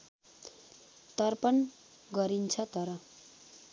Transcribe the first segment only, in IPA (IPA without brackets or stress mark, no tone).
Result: t̪